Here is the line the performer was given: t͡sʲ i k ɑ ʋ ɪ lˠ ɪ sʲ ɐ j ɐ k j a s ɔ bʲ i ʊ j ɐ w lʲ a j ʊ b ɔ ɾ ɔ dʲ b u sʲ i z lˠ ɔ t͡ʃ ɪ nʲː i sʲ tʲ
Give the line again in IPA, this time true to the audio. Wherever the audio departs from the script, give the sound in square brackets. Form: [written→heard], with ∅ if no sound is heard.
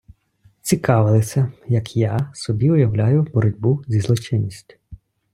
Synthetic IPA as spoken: t͡sʲ i k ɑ ʋ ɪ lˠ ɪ sʲ ɐ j ɐ k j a s ɔ bʲ i ʊ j ɐ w lʲ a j ʊ b ɔ ɾ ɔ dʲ b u [sʲ→zʲ] i z lˠ ɔ t͡ʃ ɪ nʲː i sʲ tʲ